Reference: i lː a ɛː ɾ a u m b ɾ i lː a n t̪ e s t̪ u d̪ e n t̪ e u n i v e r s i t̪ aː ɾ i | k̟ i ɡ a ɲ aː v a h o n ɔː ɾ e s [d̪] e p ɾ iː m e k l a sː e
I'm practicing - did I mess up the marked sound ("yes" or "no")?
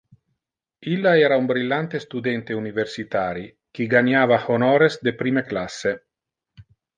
no